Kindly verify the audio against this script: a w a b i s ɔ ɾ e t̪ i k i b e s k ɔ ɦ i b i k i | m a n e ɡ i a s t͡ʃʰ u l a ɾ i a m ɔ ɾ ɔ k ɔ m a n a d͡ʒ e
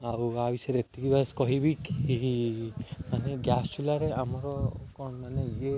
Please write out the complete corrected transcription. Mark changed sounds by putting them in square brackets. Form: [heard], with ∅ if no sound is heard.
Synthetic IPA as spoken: a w a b i s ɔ ɾ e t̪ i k i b [a] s k ɔ ɦ i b i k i | m a n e ɡ [j] a s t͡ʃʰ u l a ɾ [e] a m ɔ ɾ ɔ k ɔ m a n [e] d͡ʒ e